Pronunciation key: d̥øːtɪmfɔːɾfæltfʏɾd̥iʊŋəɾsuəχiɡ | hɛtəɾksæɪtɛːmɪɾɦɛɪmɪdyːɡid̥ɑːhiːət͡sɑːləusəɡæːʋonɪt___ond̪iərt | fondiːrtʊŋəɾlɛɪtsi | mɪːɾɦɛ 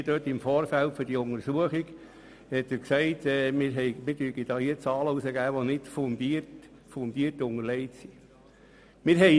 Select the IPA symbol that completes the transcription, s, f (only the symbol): f